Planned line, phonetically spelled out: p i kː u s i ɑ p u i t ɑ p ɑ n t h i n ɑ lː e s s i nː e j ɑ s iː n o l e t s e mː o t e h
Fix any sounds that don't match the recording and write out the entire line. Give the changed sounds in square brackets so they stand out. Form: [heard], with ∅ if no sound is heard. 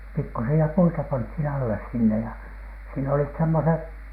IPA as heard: p i kː u s i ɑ p u i t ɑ p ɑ n t h i n ɑ lː e s s i nː e j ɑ s iː n o l [i] t s e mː o [s] e h